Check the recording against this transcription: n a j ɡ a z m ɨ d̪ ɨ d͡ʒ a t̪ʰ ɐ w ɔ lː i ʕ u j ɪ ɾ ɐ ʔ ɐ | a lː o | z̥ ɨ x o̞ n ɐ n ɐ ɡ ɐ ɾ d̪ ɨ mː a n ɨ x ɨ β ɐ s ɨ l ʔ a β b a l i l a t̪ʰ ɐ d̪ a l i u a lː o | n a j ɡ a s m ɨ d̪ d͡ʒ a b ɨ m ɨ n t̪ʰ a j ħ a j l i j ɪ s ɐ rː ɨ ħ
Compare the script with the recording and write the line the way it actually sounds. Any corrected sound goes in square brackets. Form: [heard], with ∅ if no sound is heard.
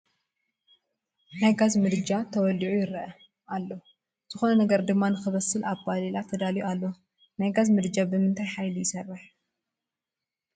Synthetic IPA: n a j ɡ a z m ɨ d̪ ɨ d͡ʒ a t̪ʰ ɐ w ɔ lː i ʕ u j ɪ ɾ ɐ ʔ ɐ | a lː o | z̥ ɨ x o̞ n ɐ n ɐ ɡ ɐ ɾ d̪ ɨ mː a n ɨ x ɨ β ɐ s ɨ l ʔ a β b a l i l a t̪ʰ ɐ d̪ a l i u a lː o | n a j ɡ a [z] m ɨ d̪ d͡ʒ a b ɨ m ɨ n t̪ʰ a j ħ a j l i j ɪ s ɐ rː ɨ ħ